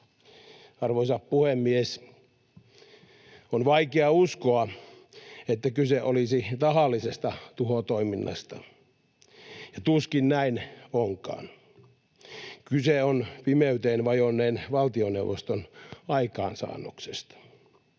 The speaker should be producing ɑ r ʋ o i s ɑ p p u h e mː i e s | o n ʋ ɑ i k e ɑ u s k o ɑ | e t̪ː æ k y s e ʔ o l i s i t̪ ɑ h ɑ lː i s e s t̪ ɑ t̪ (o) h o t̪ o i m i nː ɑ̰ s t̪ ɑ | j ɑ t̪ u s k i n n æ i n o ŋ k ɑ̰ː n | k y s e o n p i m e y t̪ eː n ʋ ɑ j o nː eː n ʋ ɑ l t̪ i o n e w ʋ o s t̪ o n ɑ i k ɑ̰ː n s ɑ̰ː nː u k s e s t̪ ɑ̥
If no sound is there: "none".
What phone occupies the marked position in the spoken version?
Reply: u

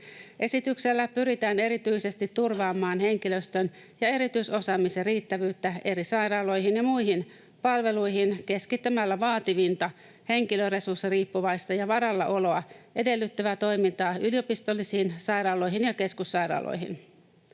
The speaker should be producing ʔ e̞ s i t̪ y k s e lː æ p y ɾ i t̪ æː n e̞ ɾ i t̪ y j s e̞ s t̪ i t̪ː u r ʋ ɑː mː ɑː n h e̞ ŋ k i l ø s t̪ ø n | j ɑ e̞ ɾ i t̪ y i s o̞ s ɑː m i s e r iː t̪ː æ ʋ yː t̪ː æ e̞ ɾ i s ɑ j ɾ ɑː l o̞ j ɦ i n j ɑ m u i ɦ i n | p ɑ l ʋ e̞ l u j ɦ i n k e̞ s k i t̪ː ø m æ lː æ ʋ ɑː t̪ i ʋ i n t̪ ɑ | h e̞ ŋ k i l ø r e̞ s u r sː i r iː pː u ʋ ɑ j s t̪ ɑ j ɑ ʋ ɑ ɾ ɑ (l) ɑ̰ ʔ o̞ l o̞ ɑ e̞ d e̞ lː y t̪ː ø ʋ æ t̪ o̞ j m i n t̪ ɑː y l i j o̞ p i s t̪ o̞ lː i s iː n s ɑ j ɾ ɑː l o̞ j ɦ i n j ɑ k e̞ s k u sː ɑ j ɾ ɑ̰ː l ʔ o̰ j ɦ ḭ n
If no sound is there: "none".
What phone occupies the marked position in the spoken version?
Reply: lː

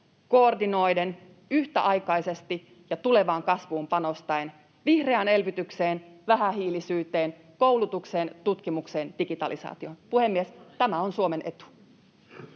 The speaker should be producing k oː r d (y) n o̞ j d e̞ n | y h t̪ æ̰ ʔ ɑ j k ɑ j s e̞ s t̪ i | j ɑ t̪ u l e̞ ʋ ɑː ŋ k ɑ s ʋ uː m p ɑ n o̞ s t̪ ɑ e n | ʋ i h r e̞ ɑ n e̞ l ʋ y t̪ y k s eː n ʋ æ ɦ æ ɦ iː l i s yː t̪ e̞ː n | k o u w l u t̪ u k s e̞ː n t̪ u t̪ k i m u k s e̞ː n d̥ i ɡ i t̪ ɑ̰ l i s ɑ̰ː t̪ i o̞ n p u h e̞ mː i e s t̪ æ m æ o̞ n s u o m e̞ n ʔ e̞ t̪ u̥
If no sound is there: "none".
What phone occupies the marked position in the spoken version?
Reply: i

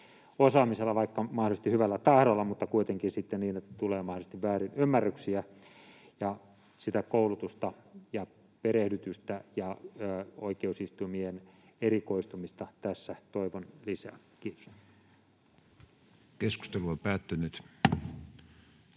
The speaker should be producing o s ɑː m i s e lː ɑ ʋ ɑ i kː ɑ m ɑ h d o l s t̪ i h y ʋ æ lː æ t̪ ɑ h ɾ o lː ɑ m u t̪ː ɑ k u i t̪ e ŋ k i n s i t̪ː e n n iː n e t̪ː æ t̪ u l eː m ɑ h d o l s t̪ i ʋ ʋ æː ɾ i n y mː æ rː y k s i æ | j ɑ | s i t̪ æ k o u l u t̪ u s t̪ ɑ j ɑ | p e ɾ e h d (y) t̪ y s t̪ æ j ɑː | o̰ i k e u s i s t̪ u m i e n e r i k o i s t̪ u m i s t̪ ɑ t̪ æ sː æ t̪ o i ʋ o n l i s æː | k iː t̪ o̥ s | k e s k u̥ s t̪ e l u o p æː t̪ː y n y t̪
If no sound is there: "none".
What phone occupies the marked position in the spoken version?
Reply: y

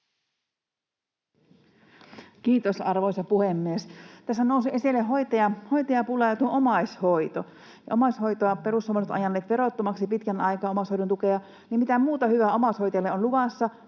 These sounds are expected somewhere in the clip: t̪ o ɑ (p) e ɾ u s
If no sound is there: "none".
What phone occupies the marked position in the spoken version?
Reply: p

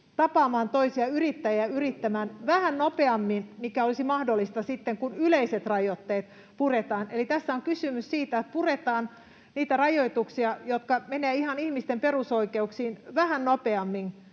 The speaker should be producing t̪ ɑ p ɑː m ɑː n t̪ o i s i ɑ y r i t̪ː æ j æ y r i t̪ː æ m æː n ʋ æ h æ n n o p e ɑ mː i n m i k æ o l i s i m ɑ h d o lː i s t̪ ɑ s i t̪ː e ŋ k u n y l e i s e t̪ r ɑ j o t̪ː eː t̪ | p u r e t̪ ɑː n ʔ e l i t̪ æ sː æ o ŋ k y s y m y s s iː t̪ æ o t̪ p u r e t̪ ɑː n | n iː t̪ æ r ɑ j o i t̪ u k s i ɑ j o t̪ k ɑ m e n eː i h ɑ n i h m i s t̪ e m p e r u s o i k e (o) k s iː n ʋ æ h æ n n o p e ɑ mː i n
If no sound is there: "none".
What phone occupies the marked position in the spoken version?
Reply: u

